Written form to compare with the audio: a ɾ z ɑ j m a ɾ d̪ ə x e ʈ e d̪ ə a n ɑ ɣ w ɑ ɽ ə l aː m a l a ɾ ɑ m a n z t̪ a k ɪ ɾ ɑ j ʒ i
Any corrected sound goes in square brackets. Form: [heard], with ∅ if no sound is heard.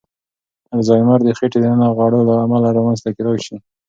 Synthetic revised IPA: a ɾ z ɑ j m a ɾ d̪ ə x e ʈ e d̪ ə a n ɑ ɣ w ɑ ɽ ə l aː m a l a ɾ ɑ m a n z t̪ a k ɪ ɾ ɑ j [ʃ] i